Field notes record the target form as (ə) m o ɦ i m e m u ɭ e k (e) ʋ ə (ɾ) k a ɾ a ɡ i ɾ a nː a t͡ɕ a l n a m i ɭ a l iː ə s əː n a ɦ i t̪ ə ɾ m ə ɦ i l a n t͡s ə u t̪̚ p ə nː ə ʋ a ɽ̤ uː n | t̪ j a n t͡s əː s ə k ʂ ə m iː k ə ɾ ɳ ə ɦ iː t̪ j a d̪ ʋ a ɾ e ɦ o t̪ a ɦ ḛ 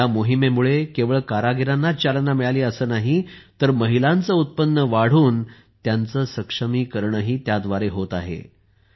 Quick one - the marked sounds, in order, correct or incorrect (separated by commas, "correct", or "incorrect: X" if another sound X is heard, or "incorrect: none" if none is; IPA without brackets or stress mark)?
incorrect: a, correct, incorrect: ɭ